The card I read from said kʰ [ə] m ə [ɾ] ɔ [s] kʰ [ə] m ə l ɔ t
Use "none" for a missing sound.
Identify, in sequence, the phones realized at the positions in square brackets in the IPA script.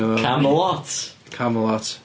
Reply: a, l, t, a

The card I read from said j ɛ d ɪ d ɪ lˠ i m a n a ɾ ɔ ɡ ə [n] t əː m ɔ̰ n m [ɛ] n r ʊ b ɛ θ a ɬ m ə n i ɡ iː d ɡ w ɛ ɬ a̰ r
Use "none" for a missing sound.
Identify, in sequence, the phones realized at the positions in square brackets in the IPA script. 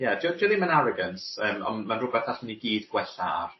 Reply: n, a

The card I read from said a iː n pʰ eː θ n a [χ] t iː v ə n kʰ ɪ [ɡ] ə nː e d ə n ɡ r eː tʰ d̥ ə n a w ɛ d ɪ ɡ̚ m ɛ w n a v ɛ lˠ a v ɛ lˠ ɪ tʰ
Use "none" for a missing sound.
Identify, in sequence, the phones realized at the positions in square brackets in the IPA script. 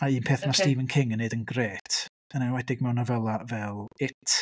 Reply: s, ŋ

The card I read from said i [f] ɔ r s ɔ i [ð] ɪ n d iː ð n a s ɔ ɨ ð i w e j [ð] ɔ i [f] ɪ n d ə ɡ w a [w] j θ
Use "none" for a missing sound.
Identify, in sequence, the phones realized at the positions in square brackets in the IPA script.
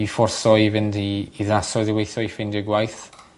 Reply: f, v, θ, f, none

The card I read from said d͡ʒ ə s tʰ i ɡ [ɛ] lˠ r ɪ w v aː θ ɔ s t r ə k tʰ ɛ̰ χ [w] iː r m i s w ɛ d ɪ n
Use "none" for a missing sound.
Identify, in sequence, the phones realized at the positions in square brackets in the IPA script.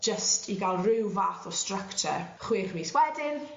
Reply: a, w

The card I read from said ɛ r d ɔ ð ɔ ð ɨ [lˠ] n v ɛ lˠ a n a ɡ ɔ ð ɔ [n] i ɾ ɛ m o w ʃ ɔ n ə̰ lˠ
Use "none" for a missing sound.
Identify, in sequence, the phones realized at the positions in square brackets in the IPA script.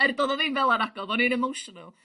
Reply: none, n

